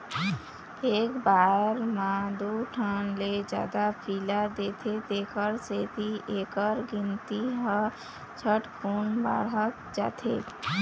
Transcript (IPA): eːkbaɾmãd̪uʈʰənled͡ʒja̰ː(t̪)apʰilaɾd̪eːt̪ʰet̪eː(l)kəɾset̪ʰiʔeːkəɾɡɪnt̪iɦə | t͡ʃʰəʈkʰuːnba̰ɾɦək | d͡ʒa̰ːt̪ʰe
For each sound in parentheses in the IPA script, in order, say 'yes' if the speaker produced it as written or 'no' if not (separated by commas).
no, no